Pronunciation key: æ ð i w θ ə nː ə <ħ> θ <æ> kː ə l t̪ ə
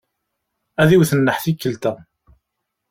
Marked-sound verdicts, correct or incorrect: correct, incorrect

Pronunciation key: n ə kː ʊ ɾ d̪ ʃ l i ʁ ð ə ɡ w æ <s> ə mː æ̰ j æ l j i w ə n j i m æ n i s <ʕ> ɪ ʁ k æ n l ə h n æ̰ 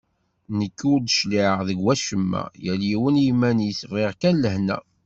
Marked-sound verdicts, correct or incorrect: incorrect, incorrect

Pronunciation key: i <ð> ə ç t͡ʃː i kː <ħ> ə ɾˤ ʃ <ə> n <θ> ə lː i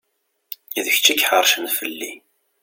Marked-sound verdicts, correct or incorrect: correct, correct, correct, incorrect

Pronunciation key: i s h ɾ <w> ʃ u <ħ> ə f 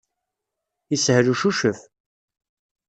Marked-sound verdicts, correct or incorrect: incorrect, incorrect

